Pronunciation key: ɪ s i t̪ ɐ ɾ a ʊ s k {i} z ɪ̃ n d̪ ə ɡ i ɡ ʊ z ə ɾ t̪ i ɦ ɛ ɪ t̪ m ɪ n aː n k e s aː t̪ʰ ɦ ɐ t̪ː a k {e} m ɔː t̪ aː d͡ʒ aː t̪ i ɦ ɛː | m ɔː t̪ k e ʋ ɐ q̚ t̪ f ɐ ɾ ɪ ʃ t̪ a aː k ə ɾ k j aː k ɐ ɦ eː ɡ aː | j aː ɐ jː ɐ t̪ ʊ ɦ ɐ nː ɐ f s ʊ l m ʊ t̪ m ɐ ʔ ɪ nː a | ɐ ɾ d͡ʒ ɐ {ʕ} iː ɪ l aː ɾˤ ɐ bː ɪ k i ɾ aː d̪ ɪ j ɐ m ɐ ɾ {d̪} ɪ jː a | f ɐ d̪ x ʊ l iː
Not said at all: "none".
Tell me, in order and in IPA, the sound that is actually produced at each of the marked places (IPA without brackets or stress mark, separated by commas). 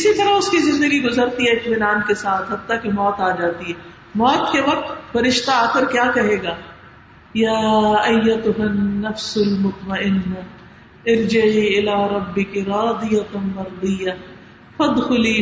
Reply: i, e, ʕ, d̪